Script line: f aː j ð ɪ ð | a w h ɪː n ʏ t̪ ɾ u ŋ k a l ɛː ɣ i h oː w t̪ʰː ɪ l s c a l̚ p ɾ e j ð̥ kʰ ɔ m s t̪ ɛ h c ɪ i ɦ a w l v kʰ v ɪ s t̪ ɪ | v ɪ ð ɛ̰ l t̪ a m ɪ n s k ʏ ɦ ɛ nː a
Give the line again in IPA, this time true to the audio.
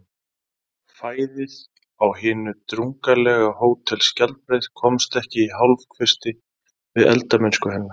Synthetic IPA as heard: f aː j ð ɪ ð | a w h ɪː n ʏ t̪ ɾ u ŋ k a l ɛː ɣ a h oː w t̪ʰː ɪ l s c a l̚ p ɾ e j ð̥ kʰ ɔ m s t̪ ɛ h c ɪ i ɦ a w l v kʰ v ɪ s t̪ ɪ | v ɪ ð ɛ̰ l t̪ a m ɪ n s k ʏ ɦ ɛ nː a